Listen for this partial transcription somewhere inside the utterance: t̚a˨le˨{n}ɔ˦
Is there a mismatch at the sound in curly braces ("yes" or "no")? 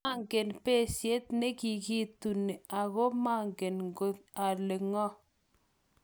yes